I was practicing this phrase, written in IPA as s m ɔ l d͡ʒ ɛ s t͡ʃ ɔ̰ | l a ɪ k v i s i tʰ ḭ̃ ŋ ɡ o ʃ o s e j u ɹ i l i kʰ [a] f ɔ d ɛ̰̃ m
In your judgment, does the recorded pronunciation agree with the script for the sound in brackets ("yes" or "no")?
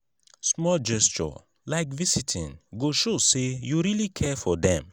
no